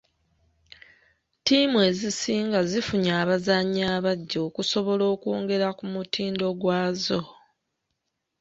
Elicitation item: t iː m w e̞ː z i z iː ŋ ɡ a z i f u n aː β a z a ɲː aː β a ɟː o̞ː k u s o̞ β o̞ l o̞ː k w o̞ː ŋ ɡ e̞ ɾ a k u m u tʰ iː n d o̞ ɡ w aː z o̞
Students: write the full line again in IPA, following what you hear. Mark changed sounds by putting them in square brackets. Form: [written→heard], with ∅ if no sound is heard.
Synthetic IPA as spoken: t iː m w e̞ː z i [z→s] iː ŋ ɡ a z i f u [n→ɲ] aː β a z a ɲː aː β a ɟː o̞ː k u s o̞ β o̞ l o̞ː k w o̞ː ŋ ɡ e̞ ɾ a k u m u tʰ iː n d o̞ ɡ w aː z o̞